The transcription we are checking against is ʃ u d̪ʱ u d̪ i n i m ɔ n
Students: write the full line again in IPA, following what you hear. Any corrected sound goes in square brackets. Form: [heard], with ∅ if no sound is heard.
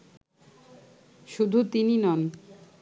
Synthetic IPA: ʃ u d̪ʱ u [t̪] i n i [n] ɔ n